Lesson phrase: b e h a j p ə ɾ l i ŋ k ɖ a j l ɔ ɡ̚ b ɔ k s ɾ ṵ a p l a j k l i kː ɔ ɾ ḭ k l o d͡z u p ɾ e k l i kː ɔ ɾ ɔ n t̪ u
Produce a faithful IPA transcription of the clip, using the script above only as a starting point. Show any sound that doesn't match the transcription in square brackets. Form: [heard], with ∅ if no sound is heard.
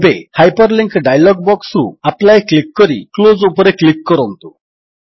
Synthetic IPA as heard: b e h a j p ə ɾ l i ŋ k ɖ a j l ɔ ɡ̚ b ɔ k s ɾ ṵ a p l a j k l i kː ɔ ɾ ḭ k l o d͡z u p ɾ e k l i kː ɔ ɾ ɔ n t̪ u